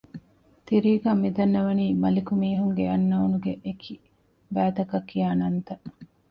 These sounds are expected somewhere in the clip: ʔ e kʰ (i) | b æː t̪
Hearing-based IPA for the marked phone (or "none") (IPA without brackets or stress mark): i